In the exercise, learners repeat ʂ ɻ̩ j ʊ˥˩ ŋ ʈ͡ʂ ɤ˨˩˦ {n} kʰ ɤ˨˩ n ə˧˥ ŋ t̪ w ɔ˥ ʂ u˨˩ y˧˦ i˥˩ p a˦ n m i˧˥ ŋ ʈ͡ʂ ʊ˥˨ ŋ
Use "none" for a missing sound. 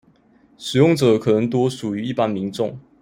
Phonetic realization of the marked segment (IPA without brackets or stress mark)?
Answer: none